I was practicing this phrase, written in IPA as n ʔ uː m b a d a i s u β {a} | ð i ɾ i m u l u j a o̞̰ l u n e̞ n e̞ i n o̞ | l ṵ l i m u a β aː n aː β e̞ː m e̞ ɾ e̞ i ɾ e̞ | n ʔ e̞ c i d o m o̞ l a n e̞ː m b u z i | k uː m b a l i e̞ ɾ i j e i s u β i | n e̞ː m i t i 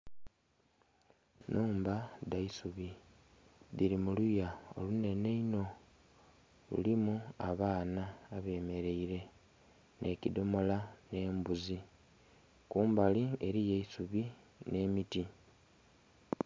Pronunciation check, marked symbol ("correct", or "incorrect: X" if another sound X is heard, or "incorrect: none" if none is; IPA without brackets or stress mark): incorrect: i